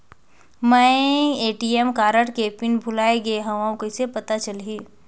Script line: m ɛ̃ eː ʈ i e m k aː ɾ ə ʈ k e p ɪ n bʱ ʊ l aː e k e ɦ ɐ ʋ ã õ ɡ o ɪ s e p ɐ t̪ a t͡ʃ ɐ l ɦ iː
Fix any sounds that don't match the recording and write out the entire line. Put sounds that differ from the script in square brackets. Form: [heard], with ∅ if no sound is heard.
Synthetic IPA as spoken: m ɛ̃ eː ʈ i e m k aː ɾ ə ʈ k e p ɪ n bʱ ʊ l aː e [ɡ] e ɦ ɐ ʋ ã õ [k] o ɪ s e p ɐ t̪ a t͡ʃ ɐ l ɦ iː